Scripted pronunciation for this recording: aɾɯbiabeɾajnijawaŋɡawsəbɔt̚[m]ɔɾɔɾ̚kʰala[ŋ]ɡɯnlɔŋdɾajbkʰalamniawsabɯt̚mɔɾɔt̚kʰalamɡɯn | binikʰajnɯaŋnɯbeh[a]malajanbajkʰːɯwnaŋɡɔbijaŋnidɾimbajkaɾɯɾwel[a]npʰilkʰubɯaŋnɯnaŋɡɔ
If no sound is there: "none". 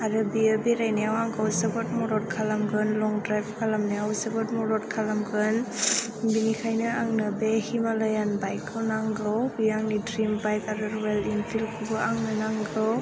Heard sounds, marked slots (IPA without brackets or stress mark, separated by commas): m, m, i, i